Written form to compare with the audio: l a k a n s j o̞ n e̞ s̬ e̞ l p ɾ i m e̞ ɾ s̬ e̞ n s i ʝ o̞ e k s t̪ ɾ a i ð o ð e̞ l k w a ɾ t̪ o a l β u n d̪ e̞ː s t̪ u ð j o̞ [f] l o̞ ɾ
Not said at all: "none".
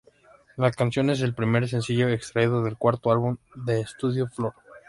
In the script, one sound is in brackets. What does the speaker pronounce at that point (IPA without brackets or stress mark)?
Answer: f